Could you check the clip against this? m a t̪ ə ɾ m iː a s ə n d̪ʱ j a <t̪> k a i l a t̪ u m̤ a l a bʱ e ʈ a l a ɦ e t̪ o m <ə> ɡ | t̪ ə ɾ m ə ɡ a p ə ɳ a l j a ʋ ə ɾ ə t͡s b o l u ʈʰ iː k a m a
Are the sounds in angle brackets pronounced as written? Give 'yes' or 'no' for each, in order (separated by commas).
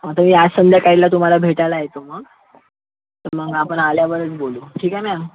no, yes